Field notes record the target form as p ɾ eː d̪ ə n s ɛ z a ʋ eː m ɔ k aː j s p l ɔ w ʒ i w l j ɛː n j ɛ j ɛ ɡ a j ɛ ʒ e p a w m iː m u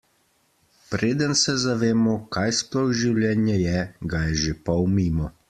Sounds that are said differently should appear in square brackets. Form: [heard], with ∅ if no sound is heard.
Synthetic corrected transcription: p ɾ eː d̪ ə n s ɛ z a ʋ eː m ɔ k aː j s p l ɔ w ʒ i w l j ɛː n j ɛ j ɛ ɡ a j ɛ ʒ e p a w m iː m [ɔ]